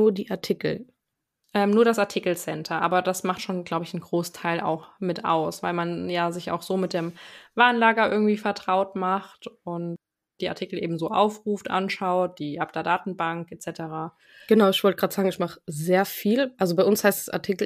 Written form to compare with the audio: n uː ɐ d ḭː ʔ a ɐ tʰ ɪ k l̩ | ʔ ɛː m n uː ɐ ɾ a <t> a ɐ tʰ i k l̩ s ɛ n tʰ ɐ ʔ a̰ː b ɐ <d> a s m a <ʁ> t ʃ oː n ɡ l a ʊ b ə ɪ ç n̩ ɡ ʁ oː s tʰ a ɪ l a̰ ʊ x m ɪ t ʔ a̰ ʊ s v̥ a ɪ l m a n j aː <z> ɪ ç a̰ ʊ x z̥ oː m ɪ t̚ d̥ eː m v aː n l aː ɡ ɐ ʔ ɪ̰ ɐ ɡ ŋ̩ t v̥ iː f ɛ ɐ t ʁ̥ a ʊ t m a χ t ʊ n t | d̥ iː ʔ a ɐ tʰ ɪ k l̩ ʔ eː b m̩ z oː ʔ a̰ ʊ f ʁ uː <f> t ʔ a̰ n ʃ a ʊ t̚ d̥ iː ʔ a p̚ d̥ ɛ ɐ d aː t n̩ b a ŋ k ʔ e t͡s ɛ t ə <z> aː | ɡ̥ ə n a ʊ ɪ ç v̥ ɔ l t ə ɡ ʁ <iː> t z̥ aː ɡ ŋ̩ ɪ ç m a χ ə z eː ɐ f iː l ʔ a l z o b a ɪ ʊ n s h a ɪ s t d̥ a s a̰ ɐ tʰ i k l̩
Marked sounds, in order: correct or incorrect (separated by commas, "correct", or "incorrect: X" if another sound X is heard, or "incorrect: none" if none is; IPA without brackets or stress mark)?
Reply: incorrect: s, correct, incorrect: χ, correct, correct, incorrect: ʁ, incorrect: aː